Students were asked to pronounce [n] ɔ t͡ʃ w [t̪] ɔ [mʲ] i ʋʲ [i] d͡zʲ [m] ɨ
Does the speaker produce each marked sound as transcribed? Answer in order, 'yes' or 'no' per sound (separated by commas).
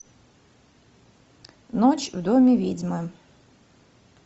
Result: yes, no, yes, yes, yes